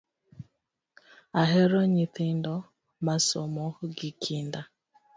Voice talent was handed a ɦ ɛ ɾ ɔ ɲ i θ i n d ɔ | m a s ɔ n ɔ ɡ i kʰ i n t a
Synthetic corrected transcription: a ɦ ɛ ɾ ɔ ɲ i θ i n d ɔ | m a s ɔ m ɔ ɡ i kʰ i n d a